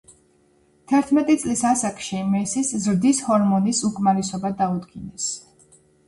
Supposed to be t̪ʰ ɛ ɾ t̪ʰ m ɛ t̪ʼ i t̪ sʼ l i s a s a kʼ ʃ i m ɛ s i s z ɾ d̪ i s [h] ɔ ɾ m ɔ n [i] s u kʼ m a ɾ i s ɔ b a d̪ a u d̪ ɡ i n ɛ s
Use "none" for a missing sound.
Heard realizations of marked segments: h, i

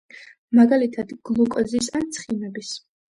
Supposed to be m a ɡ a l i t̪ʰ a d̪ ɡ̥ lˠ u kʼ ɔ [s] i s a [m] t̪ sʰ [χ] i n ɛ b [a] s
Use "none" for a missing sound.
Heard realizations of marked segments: z, n, χ, i

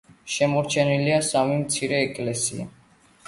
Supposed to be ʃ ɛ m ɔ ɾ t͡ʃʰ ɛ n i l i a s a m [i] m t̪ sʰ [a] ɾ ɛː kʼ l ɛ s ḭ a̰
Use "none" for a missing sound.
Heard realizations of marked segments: i, i

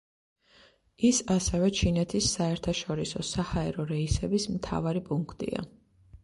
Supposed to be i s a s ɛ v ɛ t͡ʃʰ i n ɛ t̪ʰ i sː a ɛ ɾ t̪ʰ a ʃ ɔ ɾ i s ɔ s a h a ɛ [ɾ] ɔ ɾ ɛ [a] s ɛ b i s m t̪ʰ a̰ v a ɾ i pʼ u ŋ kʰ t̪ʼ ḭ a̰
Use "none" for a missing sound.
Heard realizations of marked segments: ɾ, i

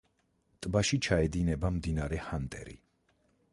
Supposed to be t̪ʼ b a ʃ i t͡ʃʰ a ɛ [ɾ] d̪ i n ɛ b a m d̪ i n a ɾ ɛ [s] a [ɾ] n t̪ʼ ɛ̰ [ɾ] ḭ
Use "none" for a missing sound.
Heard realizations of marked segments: none, h, none, ɾ

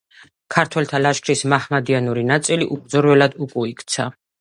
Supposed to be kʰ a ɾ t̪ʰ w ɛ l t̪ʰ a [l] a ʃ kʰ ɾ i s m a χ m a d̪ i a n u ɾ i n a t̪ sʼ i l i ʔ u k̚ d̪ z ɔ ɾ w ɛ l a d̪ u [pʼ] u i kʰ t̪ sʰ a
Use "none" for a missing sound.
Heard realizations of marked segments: l, kʼ

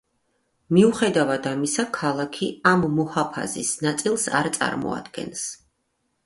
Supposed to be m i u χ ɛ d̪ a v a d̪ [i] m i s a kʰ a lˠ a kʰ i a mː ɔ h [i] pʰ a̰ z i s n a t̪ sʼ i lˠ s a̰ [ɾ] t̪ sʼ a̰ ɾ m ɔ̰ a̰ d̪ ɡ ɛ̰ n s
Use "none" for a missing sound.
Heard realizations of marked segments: a, a, ɾ

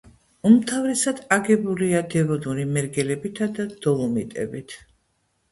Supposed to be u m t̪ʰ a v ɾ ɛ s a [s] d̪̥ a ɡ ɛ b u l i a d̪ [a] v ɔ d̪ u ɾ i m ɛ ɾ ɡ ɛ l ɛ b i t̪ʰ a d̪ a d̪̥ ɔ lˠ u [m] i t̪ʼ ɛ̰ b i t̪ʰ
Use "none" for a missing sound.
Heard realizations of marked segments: none, ɛ, m

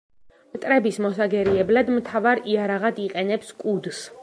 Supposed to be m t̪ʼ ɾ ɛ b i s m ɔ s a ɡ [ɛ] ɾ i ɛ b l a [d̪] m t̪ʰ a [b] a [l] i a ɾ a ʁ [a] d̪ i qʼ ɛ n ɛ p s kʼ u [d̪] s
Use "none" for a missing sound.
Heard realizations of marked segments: ɛ, d̪, v, ɾ, a, d̪

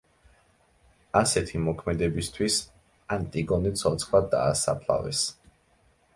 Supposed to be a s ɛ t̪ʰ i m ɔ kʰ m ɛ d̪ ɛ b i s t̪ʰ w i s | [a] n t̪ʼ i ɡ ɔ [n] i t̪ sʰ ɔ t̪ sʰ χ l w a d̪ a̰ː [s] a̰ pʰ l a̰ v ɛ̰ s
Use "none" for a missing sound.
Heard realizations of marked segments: a, n, s

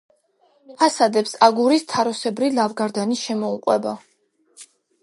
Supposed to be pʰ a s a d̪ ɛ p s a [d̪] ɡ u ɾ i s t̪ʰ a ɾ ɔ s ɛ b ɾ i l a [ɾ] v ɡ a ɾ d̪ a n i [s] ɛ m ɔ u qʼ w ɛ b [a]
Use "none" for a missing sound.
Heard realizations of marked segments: none, none, ʃ, a

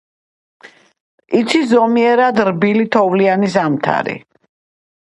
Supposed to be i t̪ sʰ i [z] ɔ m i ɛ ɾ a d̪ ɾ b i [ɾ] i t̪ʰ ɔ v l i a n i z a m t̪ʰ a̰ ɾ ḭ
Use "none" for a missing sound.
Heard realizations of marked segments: z, l

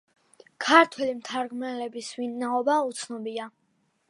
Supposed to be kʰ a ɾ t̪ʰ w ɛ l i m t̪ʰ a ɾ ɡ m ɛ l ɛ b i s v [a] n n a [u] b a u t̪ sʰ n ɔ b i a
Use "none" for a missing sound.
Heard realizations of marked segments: i, ɔ

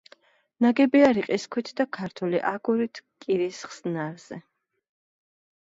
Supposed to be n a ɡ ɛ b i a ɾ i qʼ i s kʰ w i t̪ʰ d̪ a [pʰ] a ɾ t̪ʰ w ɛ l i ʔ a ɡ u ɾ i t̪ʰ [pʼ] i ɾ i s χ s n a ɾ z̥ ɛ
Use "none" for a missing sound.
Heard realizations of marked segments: kʰ, kʼ

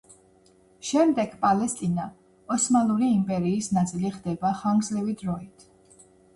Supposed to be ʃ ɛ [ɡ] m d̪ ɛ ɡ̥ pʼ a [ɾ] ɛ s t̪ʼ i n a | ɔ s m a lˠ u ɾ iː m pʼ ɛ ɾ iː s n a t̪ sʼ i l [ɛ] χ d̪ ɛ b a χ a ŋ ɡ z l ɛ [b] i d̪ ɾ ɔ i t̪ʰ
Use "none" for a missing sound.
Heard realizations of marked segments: none, l, i, v

